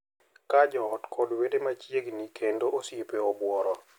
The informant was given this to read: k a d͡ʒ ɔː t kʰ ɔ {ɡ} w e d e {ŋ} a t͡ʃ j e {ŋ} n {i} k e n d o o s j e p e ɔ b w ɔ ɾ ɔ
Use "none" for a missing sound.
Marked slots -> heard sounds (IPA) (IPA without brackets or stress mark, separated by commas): d, m, ɡ, i